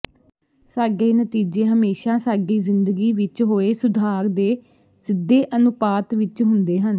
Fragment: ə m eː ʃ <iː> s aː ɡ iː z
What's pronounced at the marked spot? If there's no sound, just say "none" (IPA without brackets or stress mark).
aː